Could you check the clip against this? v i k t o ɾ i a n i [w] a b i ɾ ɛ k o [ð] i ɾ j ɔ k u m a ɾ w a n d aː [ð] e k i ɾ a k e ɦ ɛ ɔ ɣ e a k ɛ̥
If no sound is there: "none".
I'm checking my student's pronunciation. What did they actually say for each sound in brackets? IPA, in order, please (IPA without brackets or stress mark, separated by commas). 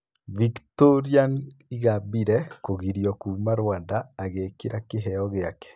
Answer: ɣ, ɣ, ɣ